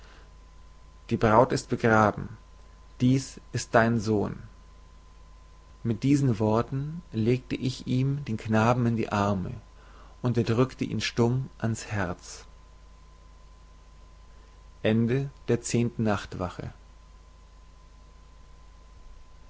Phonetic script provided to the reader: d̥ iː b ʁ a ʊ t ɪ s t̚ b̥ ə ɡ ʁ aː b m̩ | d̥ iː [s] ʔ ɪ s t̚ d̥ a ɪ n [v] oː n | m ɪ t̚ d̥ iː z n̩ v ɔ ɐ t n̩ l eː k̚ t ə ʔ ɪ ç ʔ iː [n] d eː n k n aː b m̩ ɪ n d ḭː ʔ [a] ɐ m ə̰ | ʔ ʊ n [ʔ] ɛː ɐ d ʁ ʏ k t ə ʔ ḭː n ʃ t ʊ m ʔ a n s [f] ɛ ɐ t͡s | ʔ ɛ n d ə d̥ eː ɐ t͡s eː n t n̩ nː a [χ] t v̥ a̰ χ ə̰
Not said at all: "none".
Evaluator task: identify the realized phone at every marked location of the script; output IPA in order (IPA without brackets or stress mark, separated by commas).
s, z, m, a, t, h, χ